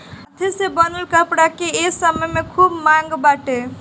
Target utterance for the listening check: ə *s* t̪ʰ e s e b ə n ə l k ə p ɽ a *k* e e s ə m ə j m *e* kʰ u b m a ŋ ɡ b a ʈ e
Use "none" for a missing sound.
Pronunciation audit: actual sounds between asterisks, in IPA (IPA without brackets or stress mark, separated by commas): none, k, e